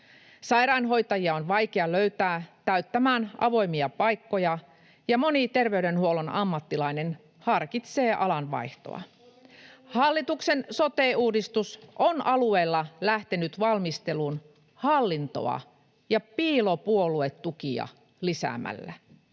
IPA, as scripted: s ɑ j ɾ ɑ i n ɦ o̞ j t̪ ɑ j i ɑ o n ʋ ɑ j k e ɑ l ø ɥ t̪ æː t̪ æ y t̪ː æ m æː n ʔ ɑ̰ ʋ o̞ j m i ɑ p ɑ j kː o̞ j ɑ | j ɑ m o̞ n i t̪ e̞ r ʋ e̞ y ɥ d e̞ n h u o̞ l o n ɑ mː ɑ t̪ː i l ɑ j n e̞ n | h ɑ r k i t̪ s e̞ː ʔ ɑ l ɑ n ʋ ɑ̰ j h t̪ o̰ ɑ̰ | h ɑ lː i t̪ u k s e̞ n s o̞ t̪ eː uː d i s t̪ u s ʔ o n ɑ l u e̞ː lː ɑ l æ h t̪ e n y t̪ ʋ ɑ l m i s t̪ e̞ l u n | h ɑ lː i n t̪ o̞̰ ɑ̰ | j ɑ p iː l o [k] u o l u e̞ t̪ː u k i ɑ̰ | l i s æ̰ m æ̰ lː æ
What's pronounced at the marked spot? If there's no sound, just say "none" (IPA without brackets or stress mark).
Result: p